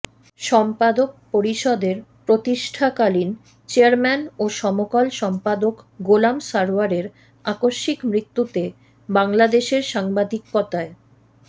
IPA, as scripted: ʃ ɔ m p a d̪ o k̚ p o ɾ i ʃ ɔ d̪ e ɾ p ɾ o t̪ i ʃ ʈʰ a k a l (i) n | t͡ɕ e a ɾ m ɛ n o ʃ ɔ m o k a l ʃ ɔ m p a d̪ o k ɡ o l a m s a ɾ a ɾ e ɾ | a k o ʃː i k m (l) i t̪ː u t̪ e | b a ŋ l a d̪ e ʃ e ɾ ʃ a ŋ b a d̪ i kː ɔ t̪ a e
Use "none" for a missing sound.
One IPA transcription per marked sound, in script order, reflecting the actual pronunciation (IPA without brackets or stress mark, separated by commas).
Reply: i, ɾ